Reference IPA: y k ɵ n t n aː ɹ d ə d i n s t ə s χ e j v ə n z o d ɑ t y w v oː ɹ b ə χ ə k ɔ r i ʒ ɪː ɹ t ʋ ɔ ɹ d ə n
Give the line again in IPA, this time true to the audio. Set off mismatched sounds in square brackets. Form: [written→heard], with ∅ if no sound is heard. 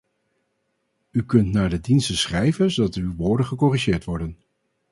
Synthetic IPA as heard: y k ɵ n t n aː ɹ d ə d i n s t ə s χ [e→ɛ] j v ə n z o d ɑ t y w [v→ʋ] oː ɹ [b→d] ə χ ə k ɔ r i ʒ ɪː ɹ t ʋ ɔ ɹ d ə n